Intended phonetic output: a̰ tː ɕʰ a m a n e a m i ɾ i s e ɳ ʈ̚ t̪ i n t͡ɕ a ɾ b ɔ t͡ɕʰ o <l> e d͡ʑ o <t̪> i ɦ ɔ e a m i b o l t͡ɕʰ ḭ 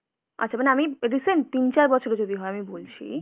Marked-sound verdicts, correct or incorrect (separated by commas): incorrect, incorrect